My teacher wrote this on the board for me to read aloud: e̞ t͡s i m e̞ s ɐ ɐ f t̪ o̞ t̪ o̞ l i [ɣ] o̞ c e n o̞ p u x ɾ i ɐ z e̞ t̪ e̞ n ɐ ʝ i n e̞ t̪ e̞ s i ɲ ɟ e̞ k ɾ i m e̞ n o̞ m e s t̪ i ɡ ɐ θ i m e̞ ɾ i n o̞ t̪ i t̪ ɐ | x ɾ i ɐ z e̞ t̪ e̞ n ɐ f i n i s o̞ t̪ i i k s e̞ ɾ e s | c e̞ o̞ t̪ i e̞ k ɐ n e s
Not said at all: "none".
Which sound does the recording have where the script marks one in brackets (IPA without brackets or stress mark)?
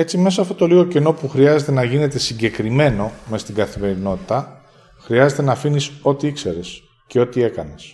ɣ